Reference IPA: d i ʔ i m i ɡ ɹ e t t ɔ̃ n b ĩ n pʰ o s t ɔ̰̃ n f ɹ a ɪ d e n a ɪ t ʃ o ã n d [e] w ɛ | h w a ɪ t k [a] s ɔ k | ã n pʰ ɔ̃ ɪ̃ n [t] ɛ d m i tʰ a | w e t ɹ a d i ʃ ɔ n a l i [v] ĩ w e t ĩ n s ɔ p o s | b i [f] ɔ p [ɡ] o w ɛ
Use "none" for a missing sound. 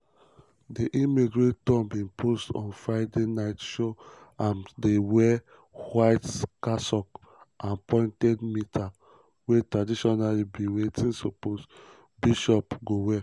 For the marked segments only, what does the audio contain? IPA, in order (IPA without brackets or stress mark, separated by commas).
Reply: e, a, t, b, ʃ, ɡ